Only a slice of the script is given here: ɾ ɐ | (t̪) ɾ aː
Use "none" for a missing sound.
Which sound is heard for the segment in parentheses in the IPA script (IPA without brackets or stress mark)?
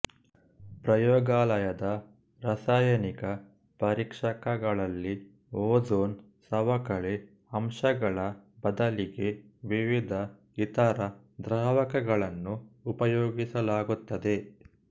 d̪